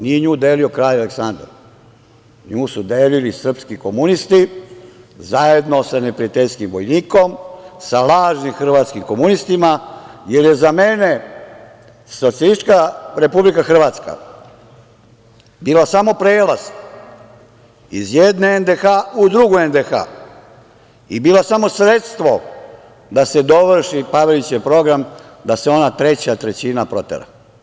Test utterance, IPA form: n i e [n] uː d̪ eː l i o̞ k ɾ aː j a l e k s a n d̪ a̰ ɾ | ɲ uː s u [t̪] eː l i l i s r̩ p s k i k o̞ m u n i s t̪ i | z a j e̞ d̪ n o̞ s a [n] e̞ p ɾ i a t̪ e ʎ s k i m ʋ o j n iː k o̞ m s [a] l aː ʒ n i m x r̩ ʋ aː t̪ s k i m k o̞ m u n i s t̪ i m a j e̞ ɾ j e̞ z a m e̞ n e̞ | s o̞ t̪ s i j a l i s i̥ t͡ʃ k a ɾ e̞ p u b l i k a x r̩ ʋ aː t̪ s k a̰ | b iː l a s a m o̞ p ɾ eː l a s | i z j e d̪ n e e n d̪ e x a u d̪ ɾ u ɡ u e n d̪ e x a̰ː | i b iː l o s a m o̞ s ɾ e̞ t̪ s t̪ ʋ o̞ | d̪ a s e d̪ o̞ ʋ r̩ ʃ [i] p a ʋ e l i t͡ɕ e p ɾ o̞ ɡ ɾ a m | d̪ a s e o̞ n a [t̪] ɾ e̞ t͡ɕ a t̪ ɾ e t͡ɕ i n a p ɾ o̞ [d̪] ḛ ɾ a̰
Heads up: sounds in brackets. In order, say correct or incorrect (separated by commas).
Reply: incorrect, incorrect, correct, correct, correct, correct, incorrect